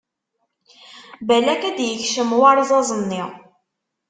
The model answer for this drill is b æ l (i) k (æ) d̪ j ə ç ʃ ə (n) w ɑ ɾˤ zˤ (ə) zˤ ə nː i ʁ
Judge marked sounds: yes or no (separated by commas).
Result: no, yes, no, no